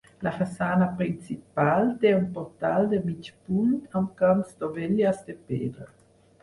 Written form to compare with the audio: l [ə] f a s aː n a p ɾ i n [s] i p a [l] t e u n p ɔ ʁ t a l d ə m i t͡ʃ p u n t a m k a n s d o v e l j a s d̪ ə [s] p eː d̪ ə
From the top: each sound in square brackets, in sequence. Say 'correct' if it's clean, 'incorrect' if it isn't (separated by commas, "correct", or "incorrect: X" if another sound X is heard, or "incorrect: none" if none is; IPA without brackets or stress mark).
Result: incorrect: a, incorrect: t͡s, correct, incorrect: none